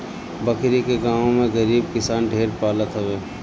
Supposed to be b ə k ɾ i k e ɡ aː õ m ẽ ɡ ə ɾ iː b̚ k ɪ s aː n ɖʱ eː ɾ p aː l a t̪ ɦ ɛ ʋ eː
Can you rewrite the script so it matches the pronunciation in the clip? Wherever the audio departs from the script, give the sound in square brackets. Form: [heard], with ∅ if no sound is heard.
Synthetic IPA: b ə k ɾ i k e ɡ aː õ m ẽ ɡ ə ɾ iː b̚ k ɪ s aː n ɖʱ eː ɾ p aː l [ə] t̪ ɦ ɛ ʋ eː